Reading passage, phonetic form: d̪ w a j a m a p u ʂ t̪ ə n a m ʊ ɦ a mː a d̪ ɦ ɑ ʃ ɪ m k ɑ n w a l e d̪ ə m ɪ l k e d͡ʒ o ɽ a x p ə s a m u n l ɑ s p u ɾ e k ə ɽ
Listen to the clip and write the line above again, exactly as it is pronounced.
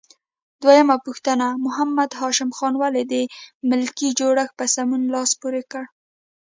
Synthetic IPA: d̪ w a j a m a p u x t̪ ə n a m ʊ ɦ a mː a d̪ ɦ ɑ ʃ ɪ m x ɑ n w a l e d̪ ə m ɪ l k i d͡ʒ o ɽ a x p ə s a m u n l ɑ s p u ɾ e k ə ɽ